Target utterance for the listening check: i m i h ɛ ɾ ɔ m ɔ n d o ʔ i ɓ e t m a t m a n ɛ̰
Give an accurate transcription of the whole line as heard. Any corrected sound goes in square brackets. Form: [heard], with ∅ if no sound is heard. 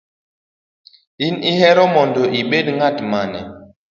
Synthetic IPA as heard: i [n] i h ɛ ɾ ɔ m ɔ n d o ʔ i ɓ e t [ŋ] a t m a n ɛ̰